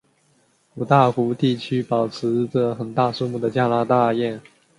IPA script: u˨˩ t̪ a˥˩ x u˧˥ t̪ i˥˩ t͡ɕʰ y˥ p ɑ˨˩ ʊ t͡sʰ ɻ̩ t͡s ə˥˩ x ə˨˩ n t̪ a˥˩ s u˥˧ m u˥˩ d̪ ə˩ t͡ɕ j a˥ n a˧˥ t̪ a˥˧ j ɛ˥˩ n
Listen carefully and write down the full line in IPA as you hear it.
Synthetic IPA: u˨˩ t̪ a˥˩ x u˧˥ t̪ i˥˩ t͡ɕʰ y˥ p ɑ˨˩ ʊ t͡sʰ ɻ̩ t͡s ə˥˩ x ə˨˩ n t̪ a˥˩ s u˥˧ m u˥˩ d̪ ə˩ t͡ɕ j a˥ n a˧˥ t̪ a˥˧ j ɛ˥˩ n